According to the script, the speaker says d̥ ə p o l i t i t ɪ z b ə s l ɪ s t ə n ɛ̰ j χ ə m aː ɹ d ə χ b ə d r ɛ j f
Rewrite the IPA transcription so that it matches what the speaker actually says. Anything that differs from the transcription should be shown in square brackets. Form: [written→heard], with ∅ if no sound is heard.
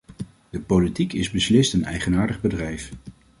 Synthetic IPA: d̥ ə p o l i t i [t→k] ɪ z b ə s l ɪ s t ə n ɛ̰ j χ ə [m→n] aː ɹ d ə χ b ə d r ɛ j f